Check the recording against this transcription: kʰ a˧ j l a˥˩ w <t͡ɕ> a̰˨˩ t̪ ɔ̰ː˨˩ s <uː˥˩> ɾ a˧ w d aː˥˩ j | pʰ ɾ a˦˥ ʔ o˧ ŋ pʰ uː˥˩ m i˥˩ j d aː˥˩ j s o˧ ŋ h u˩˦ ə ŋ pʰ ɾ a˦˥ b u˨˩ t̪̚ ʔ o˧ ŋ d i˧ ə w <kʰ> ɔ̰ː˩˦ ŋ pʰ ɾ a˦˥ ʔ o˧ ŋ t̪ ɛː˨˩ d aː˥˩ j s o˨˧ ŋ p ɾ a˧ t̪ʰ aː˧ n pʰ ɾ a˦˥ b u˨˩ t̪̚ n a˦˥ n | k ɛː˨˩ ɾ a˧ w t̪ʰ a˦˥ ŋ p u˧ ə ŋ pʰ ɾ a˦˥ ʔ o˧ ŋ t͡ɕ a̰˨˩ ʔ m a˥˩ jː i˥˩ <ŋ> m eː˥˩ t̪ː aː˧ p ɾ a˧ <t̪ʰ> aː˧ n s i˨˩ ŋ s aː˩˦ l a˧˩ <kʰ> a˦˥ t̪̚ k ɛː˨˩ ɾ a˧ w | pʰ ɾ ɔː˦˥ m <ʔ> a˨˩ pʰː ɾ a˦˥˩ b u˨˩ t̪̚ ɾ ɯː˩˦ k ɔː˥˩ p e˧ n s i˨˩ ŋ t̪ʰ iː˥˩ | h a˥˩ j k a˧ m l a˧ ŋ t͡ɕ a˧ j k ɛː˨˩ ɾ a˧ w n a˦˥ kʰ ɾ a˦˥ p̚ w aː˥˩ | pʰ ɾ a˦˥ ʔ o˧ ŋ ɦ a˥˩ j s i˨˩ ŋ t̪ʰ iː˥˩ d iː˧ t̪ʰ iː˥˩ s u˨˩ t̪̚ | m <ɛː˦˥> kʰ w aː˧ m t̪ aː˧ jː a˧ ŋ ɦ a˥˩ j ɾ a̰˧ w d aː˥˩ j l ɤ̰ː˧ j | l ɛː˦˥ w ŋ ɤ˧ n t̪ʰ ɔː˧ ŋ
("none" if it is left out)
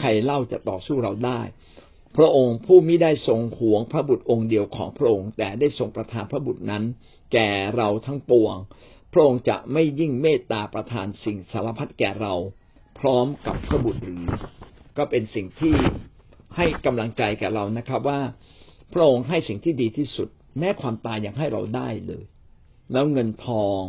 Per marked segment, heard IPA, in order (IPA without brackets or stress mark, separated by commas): t͡ɕ, uː˥˩, kʰ, ŋ, t̪ʰ, pʰ, k, ɛː˦˥